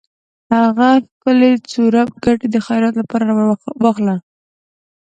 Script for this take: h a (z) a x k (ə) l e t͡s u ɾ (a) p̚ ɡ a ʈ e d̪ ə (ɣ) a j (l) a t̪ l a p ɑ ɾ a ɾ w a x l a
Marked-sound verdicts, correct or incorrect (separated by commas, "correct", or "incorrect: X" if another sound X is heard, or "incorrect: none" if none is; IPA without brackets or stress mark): incorrect: ɣ, correct, correct, incorrect: x, incorrect: ɾ